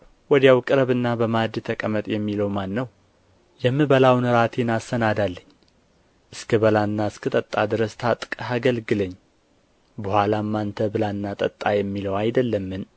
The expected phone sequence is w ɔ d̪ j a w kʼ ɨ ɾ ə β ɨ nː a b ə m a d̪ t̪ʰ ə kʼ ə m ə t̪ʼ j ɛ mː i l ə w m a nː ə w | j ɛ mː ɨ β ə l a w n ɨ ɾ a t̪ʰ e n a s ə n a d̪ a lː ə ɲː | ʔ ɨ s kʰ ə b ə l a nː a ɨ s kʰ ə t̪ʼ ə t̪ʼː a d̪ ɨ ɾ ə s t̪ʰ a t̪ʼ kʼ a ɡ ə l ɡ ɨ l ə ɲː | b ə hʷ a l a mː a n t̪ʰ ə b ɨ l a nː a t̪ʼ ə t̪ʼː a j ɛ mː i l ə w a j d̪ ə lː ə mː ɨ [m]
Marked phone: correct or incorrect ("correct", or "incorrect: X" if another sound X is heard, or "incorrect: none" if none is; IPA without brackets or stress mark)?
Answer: incorrect: n